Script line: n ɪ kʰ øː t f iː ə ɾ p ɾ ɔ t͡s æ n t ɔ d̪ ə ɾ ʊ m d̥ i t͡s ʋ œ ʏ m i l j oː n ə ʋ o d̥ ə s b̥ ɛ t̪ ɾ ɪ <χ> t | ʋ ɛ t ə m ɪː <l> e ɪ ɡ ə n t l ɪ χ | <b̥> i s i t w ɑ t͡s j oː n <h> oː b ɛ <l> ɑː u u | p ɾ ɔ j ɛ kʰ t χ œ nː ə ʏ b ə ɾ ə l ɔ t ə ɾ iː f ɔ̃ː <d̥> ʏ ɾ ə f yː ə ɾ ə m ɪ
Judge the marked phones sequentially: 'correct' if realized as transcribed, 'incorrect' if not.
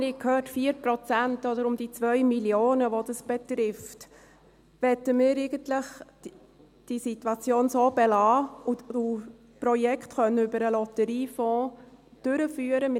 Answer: incorrect: f, incorrect: ɾ, incorrect: d̥, incorrect: s, correct, correct

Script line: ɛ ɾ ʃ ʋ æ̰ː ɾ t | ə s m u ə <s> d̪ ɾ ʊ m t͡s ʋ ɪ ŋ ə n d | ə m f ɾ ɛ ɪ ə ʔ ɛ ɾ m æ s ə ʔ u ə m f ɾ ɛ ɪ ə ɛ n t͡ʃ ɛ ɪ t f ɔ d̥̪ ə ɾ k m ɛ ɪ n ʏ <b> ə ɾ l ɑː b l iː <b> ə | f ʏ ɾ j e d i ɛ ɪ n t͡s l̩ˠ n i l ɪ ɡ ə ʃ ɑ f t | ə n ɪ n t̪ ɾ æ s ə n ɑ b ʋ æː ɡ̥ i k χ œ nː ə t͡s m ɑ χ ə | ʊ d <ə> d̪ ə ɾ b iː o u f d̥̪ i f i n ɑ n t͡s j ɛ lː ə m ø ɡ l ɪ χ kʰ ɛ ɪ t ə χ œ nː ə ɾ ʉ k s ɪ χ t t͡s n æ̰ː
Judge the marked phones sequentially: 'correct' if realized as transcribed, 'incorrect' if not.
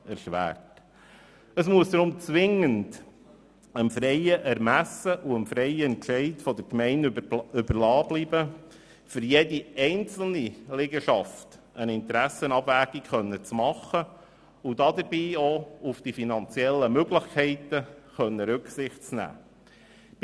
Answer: correct, correct, correct, incorrect: ɑ

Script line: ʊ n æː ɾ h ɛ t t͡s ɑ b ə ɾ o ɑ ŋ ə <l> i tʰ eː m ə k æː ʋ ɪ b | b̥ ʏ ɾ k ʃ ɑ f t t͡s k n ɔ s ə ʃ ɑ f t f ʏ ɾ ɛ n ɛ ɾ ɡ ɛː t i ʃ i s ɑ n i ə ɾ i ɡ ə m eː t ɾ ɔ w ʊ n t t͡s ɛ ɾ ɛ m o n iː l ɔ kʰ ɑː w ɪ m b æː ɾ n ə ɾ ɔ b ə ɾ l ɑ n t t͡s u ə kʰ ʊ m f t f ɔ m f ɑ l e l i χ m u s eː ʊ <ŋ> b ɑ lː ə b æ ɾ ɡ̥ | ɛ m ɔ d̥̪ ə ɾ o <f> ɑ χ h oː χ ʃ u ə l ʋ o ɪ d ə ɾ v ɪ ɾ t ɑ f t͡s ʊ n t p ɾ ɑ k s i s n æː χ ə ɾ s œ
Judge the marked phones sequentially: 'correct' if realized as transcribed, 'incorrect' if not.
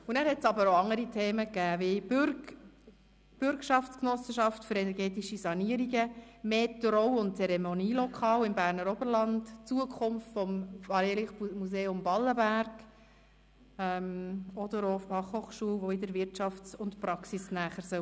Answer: incorrect: ɾ, incorrect: m, correct

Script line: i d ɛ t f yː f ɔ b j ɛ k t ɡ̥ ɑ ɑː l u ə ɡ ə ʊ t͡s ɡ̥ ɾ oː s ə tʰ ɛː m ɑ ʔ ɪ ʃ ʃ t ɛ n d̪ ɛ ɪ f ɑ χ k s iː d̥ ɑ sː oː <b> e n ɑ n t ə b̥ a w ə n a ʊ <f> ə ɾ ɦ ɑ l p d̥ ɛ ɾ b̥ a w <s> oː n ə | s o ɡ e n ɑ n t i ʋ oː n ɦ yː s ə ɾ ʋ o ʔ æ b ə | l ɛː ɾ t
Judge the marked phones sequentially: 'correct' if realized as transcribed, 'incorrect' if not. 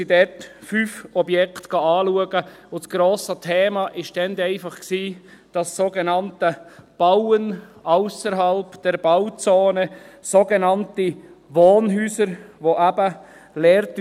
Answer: incorrect: ɡ, incorrect: s, incorrect: t͡s

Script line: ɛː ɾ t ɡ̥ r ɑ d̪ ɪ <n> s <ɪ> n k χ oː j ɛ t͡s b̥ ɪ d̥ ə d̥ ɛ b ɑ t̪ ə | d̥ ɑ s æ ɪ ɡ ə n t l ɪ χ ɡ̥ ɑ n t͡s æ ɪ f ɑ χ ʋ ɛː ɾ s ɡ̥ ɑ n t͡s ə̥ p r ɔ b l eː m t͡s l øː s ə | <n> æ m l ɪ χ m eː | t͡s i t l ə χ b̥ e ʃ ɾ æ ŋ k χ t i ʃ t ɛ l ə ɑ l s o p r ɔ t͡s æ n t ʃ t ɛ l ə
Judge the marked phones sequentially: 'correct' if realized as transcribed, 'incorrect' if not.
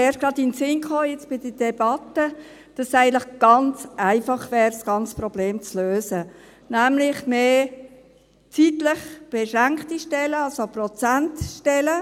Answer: correct, correct, correct

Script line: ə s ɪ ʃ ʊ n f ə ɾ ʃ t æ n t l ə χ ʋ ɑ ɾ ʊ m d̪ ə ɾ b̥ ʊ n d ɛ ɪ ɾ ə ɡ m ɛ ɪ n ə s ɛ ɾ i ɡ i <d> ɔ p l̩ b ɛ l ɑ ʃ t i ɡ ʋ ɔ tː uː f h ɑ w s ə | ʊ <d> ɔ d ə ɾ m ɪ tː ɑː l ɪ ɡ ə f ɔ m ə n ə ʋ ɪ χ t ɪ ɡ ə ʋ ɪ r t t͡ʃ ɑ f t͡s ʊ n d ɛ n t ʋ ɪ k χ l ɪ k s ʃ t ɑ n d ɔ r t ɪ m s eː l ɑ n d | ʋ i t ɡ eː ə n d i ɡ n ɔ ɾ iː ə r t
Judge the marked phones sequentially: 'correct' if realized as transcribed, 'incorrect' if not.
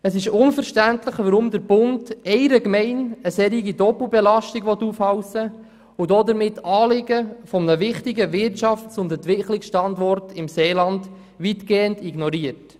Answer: correct, correct

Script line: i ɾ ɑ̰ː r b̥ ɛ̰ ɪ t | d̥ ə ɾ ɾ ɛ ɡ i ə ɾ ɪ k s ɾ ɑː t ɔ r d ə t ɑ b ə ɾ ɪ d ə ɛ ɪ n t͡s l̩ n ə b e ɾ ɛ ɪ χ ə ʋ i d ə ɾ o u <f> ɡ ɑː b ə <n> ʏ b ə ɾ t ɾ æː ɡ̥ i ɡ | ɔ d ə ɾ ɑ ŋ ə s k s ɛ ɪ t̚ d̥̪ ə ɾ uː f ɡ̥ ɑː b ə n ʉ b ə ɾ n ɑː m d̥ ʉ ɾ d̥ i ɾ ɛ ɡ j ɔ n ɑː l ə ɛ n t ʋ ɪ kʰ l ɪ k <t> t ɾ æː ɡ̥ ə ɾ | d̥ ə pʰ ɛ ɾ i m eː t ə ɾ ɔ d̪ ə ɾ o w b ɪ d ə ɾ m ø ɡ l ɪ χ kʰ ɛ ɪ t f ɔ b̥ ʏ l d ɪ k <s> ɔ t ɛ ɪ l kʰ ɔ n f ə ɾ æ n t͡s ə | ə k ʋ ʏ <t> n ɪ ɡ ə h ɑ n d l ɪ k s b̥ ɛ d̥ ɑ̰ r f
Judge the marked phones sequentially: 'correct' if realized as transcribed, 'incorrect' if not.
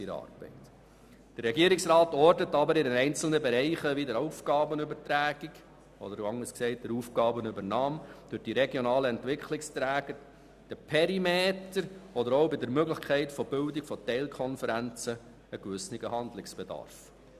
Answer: correct, correct, incorrect: s, incorrect: f, incorrect: s

